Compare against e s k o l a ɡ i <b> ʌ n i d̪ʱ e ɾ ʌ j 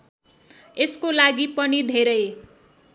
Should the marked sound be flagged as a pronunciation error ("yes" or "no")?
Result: yes